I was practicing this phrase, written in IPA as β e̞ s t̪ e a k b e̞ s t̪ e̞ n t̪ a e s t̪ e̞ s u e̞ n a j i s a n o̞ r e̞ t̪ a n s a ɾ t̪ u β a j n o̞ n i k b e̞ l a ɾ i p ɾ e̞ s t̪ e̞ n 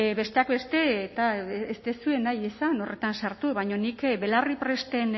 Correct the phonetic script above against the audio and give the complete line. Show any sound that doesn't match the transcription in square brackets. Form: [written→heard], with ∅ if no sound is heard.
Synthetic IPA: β e̞ s t̪ e a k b e̞ s t̪ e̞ [n→∅] t̪ a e s t̪ e̞ s u e̞ n a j [i→e] s a n o̞ r e̞ t̪ a n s a ɾ t̪ u β a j [n→ɲ] o̞ n i k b e̞ l a [ɾ→r] i p ɾ e̞ s t̪ e̞ n